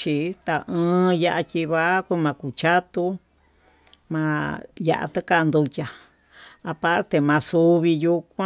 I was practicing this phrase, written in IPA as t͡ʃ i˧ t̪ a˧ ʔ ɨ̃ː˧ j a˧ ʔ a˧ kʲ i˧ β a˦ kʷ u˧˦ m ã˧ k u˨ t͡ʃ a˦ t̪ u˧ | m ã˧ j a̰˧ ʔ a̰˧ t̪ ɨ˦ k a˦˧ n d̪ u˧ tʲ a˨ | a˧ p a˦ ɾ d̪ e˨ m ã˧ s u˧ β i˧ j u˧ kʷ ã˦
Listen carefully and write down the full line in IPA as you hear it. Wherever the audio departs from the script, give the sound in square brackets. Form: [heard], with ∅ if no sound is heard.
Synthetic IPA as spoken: t͡ʃ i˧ t̪ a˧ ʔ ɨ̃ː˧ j a˧ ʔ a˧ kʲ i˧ β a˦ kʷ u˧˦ m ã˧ k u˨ t͡ʃ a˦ t̪ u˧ | m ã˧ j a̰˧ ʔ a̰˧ t̪ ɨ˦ k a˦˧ n d̪ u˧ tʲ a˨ | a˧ p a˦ ɾ [t̪] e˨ m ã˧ s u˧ β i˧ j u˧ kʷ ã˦

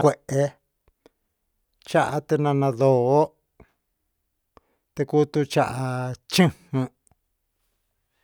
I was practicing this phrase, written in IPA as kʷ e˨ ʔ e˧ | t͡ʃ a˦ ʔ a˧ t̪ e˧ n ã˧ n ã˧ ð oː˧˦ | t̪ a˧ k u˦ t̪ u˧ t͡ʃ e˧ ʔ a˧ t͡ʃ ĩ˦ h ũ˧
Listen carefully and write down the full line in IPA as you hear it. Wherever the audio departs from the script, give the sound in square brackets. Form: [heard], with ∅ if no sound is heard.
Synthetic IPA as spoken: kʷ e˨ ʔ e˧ | t͡ʃ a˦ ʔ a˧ t̪ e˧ n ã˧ n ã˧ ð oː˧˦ | t̪ [e˧] k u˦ t̪ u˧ t͡ʃ [a˧] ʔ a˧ t͡ʃ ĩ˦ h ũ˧

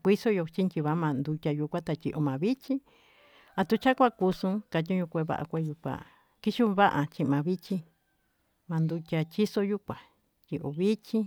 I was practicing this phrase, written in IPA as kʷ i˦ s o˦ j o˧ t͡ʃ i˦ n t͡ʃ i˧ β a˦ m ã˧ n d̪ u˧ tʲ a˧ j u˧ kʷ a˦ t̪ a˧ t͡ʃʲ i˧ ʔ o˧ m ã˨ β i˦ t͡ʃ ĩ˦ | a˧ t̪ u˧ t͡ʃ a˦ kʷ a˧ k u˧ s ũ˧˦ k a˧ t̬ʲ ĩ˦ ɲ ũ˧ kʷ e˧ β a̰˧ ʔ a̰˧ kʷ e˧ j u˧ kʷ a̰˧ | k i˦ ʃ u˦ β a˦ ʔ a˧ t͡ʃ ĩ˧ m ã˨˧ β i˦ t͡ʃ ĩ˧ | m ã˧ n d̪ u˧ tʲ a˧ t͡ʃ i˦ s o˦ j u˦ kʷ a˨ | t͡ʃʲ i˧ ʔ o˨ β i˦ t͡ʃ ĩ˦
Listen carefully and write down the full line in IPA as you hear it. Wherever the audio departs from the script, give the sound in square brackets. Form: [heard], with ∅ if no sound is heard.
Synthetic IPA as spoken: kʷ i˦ s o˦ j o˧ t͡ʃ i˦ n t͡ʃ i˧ β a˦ m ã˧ n d̪ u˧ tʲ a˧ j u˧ kʷ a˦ t̪ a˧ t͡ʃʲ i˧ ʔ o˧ m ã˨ β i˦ t͡ʃ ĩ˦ | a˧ t̪ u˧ t͡ʃ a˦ kʷ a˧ k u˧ s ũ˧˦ k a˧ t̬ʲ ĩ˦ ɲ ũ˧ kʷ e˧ β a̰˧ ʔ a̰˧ kʷ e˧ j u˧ kʷ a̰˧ | k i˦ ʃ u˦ β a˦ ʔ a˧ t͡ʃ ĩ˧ m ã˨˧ β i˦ t͡ʃ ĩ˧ | m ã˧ n d̪ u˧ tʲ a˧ t͡ʃ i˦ s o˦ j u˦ kʷ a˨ | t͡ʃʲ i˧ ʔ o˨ β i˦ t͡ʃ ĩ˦

